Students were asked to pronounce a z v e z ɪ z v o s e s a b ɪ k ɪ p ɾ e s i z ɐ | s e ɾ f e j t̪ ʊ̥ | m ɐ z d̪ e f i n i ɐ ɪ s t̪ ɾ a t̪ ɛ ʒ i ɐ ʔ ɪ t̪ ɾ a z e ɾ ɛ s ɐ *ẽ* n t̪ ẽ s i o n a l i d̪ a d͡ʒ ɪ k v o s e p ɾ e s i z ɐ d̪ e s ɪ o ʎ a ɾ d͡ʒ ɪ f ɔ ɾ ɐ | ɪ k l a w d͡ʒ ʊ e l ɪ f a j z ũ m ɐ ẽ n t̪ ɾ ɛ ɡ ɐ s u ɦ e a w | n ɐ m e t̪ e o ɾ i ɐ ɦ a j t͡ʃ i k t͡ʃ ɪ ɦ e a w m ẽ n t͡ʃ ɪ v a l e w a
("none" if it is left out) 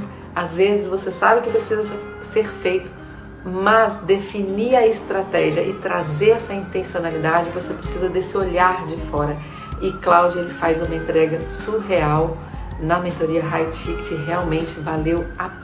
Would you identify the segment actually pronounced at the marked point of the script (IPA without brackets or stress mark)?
ĩ